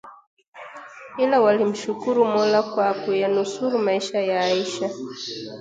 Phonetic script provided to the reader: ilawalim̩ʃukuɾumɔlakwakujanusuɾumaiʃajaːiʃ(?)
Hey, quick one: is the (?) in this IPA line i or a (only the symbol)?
a